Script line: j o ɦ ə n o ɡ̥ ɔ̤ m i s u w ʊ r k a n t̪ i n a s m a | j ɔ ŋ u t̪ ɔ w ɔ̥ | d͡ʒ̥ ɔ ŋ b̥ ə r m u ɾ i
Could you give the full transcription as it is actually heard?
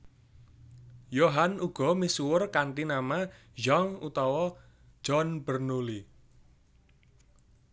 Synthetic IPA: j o ɦ a n u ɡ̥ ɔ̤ m i s u w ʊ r k a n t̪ i n a m a | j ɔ ŋ u t̪ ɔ w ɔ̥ | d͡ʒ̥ ɔ n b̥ ə r n u l i